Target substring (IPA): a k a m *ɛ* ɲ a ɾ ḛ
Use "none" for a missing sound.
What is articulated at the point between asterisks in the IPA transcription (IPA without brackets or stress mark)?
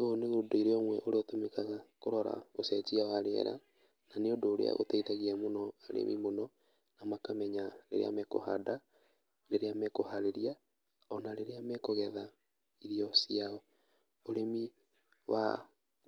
ɛ